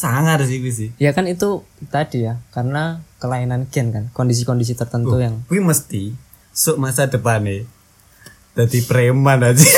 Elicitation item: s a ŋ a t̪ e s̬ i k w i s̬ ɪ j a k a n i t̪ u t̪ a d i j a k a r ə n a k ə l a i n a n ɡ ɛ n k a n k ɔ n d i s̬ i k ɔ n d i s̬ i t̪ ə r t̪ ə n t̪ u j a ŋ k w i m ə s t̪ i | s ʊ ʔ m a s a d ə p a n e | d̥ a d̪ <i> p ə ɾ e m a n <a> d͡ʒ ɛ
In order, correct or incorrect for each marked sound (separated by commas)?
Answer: correct, correct